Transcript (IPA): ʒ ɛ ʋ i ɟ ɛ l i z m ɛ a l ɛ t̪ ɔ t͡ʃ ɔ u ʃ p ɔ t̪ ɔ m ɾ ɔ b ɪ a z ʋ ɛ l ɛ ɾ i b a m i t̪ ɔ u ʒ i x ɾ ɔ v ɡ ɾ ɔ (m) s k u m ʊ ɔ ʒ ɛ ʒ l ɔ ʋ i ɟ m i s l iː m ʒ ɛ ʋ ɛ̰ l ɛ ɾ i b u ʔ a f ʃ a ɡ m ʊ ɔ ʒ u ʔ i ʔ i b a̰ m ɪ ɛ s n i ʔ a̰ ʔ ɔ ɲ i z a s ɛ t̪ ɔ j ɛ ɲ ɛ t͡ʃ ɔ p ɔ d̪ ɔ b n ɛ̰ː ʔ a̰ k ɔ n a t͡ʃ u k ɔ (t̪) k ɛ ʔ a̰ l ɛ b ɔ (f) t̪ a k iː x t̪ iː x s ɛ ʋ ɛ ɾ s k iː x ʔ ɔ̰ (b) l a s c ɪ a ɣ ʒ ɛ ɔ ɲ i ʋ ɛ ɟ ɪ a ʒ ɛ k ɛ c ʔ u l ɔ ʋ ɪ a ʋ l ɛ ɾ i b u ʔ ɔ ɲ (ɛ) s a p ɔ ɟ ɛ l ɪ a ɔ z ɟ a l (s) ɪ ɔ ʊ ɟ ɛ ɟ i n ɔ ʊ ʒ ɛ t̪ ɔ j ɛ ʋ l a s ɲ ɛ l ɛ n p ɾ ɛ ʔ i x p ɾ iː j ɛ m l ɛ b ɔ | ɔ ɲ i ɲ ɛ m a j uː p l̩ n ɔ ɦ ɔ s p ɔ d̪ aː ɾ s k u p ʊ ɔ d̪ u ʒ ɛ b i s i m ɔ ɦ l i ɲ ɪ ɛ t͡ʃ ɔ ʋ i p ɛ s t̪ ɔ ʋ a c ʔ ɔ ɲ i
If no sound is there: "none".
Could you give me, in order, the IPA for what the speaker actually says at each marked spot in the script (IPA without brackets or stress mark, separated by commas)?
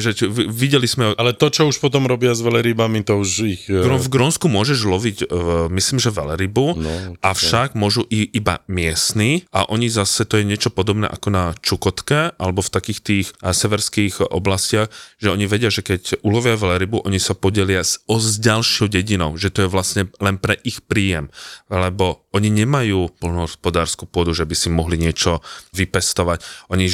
n, t̪, f, b, i, ʃ